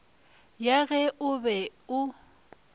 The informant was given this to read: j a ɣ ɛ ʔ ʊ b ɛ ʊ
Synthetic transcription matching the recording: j a ɣ ɛ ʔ ʊ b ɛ ʊ